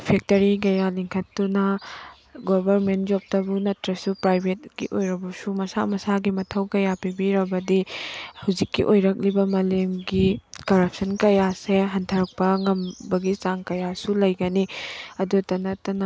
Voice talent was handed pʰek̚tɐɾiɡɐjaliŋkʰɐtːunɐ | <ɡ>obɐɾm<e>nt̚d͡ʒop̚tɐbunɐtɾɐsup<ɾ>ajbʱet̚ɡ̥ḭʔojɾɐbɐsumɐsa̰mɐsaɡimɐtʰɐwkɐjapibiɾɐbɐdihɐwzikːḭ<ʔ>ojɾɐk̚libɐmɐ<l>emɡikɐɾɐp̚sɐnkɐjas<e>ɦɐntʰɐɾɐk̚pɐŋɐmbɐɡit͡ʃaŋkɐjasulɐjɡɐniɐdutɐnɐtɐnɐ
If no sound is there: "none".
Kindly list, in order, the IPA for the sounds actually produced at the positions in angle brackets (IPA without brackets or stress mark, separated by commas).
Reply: ɡ, e, ɾ, ʔ, l, e